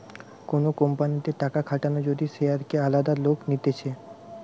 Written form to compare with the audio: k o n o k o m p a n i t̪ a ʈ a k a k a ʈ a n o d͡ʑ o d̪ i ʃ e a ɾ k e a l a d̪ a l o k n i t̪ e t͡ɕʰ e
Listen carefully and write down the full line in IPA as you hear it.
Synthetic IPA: k o n o k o m p a n i t̪ e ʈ a k a kʰ a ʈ a n o d͡ʑ o d̪ i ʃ e a ɾ k e a l a d̪ a l o k n i t̪ e t͡ɕʰ e